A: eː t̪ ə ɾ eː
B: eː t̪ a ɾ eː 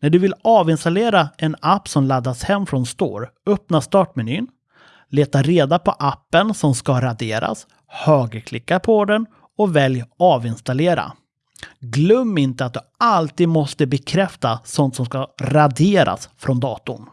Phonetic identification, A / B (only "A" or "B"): B